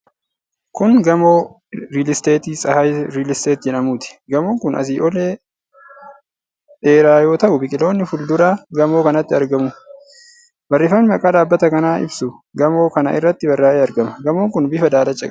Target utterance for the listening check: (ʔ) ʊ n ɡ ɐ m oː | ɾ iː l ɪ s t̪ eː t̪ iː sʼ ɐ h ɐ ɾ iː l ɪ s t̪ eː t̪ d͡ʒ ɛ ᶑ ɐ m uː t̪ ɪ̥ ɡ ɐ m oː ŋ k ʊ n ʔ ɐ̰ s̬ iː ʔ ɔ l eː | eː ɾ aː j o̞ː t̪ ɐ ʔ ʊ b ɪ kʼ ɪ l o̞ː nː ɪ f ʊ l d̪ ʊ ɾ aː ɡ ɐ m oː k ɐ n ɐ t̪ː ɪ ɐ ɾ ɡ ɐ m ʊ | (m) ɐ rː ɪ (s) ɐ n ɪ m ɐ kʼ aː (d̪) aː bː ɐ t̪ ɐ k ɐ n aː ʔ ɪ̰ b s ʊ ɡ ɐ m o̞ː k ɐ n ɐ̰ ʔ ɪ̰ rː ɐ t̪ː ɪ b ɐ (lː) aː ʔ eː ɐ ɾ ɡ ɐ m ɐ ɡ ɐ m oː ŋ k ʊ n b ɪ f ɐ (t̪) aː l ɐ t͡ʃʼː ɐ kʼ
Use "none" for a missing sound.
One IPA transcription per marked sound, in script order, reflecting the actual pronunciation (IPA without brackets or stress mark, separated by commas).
k, b, f, d̪, rː, d̪